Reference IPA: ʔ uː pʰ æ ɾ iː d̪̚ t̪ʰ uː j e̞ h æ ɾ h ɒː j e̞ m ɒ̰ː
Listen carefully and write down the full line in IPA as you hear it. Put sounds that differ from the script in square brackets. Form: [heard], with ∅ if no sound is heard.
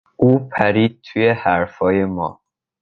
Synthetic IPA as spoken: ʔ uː pʰ æ ɾ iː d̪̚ t̪ʰ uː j e̞ h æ ɾ [f] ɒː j e̞ m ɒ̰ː